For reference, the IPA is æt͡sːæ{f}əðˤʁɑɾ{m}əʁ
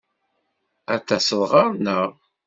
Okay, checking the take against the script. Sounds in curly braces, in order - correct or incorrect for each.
incorrect, incorrect

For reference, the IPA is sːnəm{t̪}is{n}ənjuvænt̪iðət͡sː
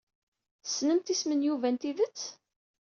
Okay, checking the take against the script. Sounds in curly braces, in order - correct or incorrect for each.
correct, incorrect

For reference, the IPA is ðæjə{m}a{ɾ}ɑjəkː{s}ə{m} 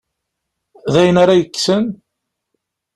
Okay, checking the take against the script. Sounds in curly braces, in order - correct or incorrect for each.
incorrect, correct, correct, incorrect

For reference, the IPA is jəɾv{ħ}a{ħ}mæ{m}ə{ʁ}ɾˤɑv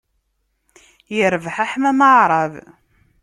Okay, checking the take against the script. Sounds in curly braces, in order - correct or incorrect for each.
correct, correct, correct, incorrect

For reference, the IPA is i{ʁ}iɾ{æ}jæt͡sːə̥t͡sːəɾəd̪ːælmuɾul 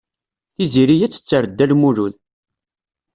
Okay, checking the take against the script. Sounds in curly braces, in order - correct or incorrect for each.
incorrect, incorrect

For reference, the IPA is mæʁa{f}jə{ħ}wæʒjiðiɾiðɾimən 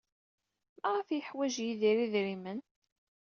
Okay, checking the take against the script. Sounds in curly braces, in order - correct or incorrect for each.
correct, correct

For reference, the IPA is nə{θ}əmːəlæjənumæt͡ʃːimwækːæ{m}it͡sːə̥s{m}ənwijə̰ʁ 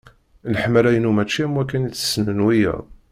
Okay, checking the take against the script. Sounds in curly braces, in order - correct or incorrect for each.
incorrect, incorrect, incorrect

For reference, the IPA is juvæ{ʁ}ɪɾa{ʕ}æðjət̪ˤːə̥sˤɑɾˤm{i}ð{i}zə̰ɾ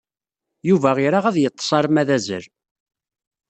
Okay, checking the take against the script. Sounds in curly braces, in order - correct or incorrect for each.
correct, incorrect, incorrect, incorrect

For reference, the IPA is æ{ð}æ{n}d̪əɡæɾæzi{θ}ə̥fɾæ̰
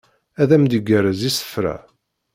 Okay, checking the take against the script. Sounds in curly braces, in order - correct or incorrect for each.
correct, incorrect, incorrect

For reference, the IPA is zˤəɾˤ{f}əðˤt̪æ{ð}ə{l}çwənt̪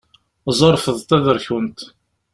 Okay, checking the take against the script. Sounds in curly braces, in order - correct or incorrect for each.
correct, correct, incorrect

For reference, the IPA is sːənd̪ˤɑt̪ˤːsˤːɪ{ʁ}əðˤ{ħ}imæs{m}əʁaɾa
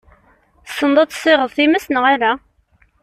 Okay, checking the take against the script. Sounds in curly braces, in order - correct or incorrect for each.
correct, incorrect, incorrect

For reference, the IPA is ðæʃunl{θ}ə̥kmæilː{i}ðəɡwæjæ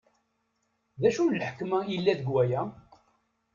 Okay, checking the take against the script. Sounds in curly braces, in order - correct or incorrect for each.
incorrect, incorrect

